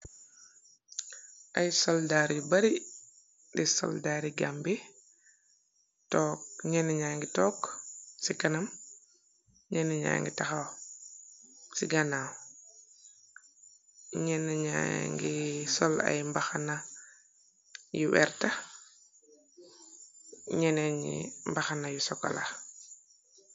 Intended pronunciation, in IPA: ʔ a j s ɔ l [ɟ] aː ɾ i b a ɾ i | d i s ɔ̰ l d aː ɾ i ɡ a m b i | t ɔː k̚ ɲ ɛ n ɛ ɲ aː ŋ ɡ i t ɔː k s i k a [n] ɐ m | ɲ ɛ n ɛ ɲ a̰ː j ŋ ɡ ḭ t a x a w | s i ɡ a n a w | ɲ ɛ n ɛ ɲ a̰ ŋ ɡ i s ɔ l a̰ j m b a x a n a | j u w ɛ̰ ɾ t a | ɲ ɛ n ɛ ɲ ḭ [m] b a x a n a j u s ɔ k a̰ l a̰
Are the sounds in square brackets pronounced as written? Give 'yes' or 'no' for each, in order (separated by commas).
no, yes, yes